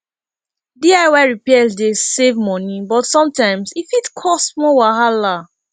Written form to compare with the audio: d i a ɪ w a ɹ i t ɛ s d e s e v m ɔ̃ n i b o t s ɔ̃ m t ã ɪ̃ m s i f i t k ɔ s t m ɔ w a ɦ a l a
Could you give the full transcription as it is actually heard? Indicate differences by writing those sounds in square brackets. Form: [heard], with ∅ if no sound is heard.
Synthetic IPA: d i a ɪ w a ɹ i [p] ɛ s d e s e v m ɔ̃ n i b [ɔ] t s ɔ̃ m t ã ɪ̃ m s i f i t [kʰ] ɔ s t m ɔ w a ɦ a l a